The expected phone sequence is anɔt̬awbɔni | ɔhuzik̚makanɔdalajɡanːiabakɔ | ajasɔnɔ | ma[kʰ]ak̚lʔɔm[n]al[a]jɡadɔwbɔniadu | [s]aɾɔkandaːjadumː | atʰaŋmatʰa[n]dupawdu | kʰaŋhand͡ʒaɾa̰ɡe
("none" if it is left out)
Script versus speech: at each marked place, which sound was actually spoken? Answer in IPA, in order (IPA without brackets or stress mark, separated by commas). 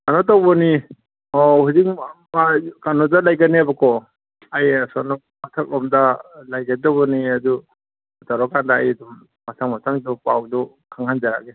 tʰ, d, a, t, ŋ